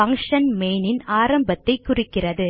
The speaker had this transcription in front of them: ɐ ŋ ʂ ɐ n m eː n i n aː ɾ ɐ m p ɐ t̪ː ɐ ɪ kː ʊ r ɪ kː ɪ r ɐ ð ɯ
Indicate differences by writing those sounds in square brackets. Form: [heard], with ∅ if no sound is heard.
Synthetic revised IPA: ɐ ŋ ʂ ɐ n m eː n [ɪ] n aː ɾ ɐ m [b] ɐ t̪ː ɐ ɪ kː ʊ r ɪ kː ɪ r ɐ ð ɯ